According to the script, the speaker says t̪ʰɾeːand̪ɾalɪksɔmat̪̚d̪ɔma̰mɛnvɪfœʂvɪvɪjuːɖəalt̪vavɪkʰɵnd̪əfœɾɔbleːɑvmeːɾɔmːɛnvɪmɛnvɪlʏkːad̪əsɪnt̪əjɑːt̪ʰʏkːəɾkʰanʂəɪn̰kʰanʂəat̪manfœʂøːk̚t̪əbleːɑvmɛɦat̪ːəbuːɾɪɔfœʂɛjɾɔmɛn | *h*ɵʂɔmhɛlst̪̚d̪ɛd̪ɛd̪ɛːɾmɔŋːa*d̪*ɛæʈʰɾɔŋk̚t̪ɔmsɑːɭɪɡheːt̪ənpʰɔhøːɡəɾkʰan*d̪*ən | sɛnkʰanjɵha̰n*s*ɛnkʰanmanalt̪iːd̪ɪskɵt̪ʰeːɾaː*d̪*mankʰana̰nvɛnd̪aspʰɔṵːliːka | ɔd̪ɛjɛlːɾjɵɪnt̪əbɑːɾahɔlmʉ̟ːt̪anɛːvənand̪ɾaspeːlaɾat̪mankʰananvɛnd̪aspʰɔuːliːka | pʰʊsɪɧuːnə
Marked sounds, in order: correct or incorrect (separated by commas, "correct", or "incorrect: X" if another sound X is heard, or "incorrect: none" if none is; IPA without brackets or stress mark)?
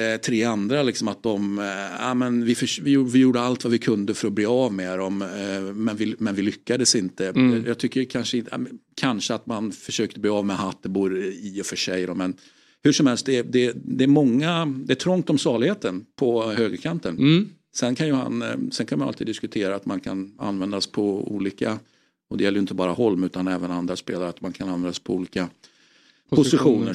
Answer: correct, correct, incorrect: t̪, correct, incorrect: t̪